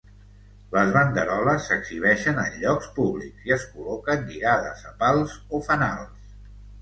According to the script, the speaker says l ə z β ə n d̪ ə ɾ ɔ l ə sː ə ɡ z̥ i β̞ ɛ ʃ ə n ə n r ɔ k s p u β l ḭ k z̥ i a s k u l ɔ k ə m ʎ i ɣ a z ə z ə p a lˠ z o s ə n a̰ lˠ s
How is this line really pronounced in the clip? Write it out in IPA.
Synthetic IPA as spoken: l ə z β ə n d̪ ə ɾ ɔ l ə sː ə ɡ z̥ i β̞ ɛ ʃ ə n ə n ʎ ɔ k s p u β l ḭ k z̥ i ə s k u l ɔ k ə n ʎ i ɣ a ð ə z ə p a lˠ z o f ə n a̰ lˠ s